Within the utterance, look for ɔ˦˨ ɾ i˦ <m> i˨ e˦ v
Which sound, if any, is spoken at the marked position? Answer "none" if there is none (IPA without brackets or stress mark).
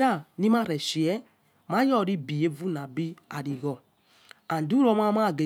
b